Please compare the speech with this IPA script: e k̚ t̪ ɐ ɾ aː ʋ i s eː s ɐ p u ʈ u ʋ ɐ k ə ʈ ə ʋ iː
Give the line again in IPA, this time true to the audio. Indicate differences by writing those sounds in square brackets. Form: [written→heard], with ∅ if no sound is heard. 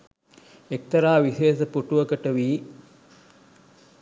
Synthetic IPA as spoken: e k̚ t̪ ɐ ɾ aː ʋ i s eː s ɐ p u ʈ u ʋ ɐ k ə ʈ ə ʋ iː